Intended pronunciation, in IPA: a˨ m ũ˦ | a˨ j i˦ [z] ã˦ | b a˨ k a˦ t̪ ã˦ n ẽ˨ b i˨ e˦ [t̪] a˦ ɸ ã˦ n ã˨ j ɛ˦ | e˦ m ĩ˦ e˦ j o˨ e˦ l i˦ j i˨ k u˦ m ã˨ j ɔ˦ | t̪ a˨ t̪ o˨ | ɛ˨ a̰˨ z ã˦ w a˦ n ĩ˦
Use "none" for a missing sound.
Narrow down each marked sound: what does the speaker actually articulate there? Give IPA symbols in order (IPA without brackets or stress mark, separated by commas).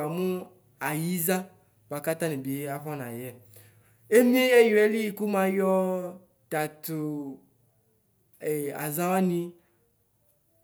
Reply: z, none